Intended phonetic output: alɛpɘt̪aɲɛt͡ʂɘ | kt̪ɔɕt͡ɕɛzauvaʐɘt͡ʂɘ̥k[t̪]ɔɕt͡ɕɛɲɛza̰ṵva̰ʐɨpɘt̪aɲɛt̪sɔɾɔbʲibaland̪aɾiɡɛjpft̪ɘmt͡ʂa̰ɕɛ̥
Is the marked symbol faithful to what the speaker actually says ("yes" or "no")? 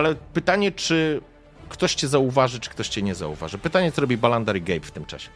yes